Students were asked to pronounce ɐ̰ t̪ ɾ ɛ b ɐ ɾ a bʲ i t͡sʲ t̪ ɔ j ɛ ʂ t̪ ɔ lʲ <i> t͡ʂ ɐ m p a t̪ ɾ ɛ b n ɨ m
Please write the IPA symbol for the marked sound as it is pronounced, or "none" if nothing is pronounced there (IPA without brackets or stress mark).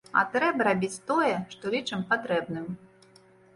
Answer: i